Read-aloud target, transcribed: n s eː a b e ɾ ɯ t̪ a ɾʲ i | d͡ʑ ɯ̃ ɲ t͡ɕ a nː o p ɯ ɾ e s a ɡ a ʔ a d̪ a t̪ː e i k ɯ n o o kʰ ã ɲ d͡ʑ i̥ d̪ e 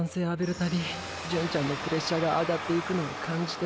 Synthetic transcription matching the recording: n s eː a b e ɾ ɯ t̪ a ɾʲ i | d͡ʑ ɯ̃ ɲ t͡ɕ a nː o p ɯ ɾ e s a ɡ a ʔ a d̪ a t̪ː e i k ɯ n o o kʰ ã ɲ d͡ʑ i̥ t̪ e